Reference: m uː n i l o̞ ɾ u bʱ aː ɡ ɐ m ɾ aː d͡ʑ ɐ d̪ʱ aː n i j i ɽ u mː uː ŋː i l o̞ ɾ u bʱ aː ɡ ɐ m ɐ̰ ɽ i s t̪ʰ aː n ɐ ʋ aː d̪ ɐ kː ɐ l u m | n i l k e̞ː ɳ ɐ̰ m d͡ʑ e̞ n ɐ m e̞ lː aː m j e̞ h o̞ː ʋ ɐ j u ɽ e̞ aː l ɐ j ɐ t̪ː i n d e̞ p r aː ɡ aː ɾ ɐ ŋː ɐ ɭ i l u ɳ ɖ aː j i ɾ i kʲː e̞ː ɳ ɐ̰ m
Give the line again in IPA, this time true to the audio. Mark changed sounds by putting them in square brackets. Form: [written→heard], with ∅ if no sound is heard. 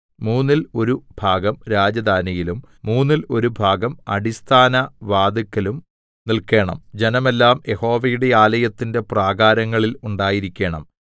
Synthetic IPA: m uː [n→nː] i l o̞ ɾ u bʱ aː ɡ ɐ m ɾ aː d͡ʑ ɐ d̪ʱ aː n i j i [ɽ→l] u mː uː [ŋː→nː] i l o̞ ɾ u bʱ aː ɡ ɐ m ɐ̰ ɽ i s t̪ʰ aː n ɐ ʋ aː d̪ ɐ kː ɐ l u m | n i l k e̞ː ɳ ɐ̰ m d͡ʑ e̞ n ɐ m e̞ lː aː m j e̞ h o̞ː ʋ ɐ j u ɽ e̞ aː l ɐ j ɐ t̪ː i n d e̞ p r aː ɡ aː ɾ ɐ ŋː ɐ ɭ i l u ɳ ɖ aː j i ɾ i kʲː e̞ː ɳ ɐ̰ m